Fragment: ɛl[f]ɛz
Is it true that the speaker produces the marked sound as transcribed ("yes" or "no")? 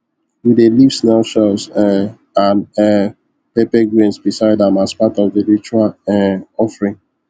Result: no